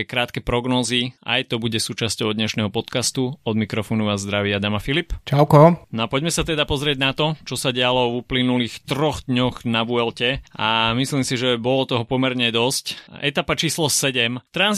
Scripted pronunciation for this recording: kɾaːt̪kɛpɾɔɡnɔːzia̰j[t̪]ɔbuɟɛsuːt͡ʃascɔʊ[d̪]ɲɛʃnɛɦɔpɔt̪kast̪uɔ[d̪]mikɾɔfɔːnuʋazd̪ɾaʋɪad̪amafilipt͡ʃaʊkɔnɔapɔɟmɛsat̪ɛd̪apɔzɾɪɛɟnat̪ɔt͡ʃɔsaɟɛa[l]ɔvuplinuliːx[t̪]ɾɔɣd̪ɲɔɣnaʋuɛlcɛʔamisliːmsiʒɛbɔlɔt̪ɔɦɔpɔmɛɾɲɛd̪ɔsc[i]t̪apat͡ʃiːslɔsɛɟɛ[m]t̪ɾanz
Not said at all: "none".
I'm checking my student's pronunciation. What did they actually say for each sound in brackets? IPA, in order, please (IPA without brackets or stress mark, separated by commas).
t̪, d̪, d̪, l, t̪, ɛ, m